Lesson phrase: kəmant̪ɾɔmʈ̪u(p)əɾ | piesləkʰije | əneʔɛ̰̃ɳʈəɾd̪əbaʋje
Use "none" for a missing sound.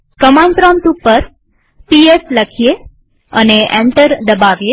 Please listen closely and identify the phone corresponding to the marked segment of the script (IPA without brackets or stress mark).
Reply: p